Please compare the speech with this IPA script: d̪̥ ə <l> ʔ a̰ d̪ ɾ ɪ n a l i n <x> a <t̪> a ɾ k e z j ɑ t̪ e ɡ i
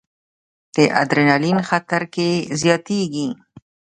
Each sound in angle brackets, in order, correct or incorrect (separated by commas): incorrect, correct, correct